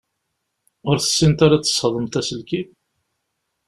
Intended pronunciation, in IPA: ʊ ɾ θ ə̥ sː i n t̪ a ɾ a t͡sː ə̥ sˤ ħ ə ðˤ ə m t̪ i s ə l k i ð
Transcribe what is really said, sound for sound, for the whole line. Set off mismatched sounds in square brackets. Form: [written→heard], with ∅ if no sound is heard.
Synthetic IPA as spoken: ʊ ɾ θ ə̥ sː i n t̪ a ɾ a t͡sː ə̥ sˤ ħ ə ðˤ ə m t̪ [i→æ] s ə l k i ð